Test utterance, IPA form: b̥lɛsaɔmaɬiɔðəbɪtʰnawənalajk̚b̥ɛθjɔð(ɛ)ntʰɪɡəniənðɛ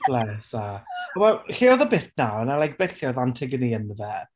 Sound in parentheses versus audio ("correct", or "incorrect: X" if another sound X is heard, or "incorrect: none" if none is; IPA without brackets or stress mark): incorrect: a